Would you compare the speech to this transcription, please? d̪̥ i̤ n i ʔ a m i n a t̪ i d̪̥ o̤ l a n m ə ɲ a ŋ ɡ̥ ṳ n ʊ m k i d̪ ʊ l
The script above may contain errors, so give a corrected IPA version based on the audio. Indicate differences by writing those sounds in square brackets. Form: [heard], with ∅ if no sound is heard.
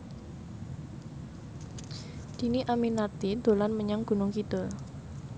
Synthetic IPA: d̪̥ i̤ n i ʔ a m i n a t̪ i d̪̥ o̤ l a n m ə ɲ a ŋ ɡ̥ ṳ n ʊ [ŋ] k i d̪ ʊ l